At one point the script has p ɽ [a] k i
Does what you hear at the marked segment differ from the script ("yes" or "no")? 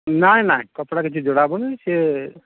no